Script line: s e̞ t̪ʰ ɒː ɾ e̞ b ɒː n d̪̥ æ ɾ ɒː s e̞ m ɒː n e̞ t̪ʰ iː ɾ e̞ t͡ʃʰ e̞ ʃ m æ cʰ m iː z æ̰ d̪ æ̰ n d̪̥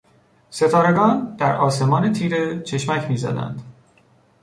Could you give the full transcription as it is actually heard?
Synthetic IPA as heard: s e̞ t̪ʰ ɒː ɾ e̞ ɡ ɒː n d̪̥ æ ɾ ɒː s e̞ m ɒː n e̞ t̪ʰ iː ɾ e̞ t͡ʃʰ e̞ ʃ m æ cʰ m iː z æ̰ d̪ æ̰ n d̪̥